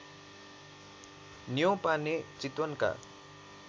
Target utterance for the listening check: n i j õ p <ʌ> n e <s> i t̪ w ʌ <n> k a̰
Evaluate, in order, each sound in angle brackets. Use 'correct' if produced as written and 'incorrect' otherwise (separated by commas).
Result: incorrect, incorrect, correct